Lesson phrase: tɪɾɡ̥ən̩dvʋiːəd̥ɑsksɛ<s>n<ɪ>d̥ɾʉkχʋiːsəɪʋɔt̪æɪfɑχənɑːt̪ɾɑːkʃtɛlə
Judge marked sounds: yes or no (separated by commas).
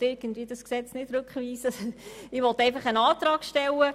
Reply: no, yes